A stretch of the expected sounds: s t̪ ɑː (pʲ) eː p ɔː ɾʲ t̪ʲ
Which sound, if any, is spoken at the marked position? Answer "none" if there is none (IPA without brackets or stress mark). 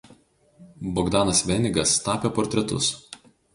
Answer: pʲ